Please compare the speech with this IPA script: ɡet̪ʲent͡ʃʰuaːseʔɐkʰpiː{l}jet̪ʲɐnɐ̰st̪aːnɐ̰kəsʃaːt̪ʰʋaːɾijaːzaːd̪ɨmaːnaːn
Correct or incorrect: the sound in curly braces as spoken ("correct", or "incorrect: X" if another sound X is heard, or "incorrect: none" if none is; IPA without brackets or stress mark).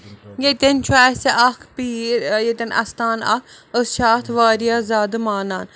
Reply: incorrect: ɾ